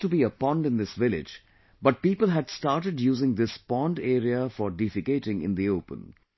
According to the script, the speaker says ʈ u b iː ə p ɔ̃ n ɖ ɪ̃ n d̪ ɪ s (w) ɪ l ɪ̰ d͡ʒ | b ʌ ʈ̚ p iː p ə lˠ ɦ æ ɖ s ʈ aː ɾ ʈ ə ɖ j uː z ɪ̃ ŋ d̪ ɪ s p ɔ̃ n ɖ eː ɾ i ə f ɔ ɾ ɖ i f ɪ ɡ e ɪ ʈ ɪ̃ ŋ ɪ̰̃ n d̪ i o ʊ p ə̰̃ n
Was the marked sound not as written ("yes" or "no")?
yes